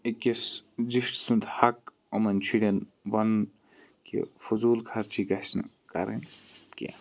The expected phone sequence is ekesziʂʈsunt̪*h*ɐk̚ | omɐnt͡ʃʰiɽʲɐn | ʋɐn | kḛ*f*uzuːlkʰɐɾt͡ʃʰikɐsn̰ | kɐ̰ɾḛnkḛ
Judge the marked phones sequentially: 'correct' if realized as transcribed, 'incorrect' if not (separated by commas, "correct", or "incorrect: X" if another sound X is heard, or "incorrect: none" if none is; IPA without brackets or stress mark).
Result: correct, correct